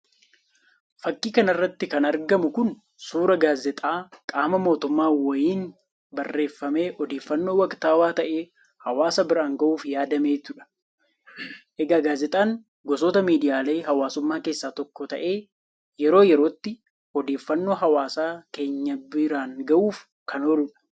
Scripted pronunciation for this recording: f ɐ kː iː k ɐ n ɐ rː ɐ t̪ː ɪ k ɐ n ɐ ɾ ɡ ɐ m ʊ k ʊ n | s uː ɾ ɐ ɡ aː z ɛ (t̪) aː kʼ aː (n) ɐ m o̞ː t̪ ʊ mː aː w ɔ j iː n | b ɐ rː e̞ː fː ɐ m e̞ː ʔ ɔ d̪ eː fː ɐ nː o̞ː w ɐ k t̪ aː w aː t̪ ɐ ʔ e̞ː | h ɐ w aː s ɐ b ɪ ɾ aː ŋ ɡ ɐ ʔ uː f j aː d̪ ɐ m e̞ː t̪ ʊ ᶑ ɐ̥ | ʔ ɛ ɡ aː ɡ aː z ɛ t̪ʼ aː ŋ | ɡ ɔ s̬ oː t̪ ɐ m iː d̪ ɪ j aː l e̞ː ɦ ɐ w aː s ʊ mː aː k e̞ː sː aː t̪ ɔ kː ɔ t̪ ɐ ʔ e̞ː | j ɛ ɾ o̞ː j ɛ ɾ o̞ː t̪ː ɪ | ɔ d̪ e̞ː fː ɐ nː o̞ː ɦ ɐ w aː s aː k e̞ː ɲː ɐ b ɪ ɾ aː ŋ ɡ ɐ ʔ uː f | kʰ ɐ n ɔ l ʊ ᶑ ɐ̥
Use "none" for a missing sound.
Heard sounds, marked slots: t̪ʼ, m

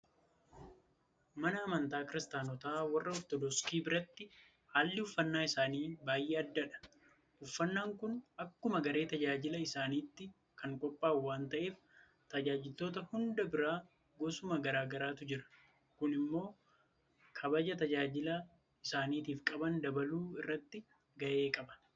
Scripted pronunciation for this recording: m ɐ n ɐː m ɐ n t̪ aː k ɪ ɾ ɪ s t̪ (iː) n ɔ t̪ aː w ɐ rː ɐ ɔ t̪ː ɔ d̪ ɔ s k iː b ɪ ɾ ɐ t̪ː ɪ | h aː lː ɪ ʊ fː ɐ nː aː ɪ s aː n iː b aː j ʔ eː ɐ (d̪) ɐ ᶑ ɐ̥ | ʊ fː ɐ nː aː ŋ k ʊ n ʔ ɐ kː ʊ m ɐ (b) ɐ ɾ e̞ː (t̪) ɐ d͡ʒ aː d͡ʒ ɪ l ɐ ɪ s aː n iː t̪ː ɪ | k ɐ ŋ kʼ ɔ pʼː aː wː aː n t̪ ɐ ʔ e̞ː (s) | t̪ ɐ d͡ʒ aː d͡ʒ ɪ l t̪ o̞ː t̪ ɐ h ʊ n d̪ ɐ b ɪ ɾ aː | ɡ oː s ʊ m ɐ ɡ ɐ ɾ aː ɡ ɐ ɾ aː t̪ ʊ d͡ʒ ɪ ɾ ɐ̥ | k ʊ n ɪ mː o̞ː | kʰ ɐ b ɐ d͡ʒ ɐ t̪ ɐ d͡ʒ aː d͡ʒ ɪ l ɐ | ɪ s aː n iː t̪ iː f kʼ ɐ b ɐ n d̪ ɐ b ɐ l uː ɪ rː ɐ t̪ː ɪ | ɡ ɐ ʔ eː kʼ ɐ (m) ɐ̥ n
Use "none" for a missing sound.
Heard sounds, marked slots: aː, d̪ː, ɡ, t̪, f, b

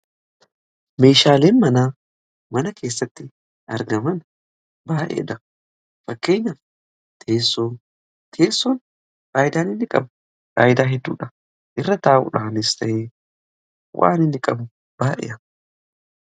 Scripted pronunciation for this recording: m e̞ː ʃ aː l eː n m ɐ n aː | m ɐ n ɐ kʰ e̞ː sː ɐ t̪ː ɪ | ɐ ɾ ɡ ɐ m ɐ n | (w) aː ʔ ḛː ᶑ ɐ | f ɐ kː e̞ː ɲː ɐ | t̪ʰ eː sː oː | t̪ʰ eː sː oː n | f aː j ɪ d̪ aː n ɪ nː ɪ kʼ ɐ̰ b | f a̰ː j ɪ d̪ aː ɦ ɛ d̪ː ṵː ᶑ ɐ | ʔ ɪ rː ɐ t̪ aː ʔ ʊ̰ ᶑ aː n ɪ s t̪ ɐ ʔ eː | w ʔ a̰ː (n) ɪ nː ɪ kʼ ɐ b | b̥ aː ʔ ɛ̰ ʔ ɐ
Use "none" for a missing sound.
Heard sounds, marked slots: b, n

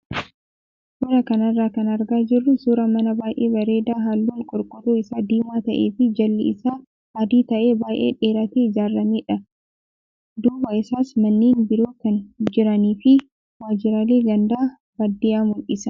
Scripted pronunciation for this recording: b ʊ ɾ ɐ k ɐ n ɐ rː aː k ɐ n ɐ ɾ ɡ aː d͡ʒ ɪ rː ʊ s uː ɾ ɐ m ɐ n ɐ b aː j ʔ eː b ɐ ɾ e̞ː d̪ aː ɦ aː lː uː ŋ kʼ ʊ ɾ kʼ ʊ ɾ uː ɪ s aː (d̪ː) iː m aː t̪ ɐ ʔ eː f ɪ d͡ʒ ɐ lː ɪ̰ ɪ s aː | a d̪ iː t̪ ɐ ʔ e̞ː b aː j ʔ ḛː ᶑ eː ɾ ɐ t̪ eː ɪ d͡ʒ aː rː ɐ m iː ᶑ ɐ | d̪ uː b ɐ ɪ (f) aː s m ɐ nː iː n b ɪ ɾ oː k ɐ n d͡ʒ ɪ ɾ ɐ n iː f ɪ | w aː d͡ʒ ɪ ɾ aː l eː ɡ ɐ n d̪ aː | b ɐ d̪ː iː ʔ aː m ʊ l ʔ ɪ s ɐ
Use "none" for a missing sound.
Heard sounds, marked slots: d̪, s

